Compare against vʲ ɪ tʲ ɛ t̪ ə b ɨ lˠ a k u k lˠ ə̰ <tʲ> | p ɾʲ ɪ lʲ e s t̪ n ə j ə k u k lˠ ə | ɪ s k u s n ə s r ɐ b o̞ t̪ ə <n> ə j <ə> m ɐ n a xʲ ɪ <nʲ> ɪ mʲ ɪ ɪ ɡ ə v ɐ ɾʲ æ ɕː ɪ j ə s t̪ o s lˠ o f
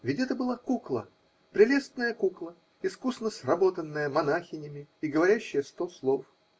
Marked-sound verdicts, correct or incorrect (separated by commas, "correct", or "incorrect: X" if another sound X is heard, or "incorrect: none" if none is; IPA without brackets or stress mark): incorrect: none, incorrect: nː, correct, correct